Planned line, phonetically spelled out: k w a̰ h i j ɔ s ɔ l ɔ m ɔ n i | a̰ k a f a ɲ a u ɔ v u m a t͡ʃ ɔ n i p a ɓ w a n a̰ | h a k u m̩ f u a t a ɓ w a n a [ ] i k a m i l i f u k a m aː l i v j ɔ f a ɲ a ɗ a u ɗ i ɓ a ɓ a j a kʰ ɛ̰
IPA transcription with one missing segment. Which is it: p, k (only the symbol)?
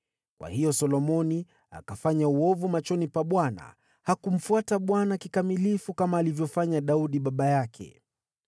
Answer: k